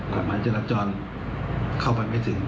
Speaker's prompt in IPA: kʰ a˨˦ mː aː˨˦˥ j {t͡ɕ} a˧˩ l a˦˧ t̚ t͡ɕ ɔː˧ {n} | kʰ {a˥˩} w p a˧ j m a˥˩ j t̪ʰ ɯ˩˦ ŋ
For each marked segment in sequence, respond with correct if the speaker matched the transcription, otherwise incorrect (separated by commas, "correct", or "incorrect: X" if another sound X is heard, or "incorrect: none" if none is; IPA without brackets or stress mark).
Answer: correct, correct, correct